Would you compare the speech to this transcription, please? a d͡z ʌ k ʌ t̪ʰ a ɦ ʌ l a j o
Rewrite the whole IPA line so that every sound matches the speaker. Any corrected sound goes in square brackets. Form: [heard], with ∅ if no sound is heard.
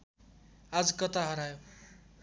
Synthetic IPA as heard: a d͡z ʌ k ʌ [t̪] a ɦ ʌ [ɾ] a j o